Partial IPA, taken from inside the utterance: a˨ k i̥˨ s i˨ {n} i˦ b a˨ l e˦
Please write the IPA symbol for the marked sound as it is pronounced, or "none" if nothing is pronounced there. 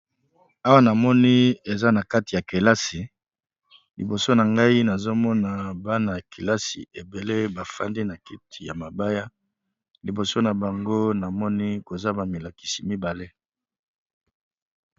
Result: m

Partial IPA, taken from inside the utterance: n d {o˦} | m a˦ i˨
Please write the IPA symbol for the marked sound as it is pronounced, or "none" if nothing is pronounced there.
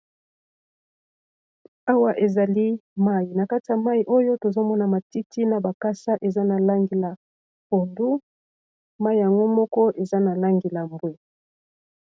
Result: u˦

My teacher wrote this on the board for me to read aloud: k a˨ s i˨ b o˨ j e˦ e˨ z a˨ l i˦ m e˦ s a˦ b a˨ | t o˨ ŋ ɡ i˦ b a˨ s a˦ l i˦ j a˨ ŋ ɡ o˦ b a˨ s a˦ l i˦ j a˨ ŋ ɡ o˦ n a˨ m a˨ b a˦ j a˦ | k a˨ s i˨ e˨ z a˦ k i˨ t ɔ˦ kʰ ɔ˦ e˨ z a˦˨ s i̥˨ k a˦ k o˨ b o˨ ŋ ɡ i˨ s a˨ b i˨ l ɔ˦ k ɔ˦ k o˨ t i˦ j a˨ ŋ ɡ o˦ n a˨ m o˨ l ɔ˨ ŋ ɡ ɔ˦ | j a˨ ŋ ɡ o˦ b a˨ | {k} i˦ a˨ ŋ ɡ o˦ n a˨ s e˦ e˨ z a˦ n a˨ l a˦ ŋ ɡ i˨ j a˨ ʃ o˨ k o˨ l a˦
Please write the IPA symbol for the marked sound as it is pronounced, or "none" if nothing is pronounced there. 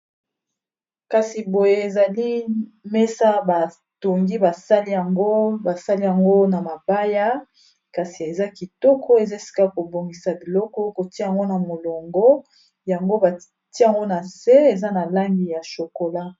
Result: t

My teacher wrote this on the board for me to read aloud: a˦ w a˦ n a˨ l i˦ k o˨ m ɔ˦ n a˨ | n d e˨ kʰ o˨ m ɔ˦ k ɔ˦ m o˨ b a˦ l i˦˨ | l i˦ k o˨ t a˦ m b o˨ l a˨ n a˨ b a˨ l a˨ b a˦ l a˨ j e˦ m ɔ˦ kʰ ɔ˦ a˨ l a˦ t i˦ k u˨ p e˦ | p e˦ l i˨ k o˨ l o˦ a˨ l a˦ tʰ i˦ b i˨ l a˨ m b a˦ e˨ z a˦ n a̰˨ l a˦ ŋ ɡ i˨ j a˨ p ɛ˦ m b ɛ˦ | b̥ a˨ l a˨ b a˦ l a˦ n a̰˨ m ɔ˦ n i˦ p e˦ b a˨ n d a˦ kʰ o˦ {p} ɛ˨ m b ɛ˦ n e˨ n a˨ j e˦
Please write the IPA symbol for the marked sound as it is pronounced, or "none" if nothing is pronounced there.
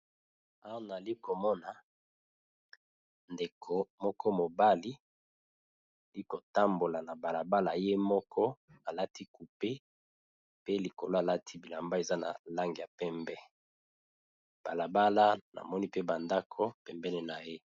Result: p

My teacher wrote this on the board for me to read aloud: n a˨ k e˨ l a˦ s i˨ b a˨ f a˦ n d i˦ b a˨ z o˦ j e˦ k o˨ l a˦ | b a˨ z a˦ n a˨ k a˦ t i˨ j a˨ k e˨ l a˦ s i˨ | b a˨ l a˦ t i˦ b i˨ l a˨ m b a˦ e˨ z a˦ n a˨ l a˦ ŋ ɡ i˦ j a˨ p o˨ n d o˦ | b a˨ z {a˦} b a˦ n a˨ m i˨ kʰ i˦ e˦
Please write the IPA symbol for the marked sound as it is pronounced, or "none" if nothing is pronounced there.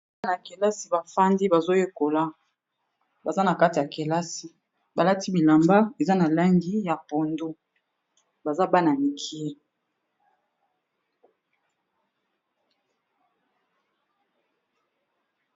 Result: a˦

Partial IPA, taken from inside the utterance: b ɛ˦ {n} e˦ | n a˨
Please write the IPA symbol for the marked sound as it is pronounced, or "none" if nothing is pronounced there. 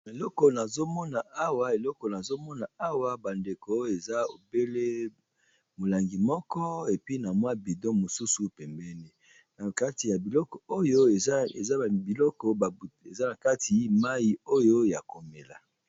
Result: n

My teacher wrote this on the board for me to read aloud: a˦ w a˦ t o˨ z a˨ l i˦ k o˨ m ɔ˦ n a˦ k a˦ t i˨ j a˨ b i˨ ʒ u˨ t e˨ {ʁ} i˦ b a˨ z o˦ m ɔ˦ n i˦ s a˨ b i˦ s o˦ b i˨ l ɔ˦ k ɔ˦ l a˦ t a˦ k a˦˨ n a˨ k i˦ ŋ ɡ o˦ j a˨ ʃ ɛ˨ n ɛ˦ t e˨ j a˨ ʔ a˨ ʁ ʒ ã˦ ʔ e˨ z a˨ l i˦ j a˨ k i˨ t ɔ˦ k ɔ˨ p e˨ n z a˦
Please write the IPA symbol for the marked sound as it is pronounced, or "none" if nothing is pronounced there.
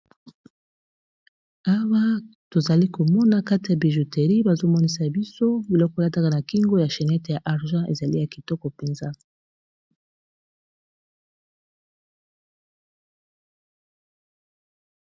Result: ʁ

